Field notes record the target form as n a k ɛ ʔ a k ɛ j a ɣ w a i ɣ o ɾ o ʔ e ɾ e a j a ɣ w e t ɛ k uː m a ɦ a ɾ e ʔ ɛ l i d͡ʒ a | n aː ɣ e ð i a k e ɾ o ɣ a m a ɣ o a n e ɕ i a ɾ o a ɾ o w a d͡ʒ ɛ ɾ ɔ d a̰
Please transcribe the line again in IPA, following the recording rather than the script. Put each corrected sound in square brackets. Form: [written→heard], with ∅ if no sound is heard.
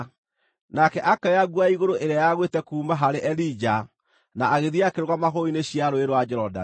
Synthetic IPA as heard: n a k ɛ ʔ a k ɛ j a ɣ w a i ɣ o ɾ o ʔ e ɾ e a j a ɣ w e t ɛ k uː m a ɦ a ɾ e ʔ ɛ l i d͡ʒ a | n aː ɣ e ð i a k e ɾ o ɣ a m a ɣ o [a→i] n e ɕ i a ɾ o [a→e] ɾ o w a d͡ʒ ɛ ɾ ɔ d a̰